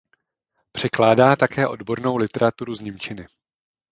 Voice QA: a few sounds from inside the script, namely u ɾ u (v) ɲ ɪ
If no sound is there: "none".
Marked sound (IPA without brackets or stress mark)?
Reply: z